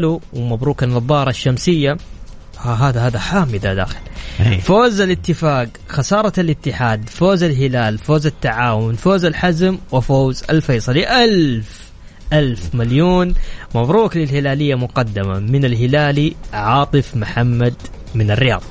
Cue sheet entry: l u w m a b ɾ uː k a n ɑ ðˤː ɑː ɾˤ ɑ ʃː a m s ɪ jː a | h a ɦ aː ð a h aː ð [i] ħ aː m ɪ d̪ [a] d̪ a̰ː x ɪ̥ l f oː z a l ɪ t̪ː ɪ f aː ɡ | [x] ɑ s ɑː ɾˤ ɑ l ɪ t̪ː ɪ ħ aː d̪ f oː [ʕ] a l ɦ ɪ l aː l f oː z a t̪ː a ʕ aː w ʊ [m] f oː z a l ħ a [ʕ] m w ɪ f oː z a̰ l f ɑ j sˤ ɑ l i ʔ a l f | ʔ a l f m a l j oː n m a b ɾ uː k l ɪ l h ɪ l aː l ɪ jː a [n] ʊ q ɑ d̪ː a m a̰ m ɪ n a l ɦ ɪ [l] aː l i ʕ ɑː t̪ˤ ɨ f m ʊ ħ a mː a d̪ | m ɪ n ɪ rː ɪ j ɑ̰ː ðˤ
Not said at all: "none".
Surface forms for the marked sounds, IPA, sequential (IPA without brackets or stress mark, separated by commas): a, a, x, z, n, z, m, l